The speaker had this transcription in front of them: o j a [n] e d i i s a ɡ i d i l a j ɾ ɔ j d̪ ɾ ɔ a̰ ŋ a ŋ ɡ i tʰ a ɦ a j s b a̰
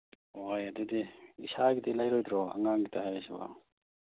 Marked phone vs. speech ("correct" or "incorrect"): incorrect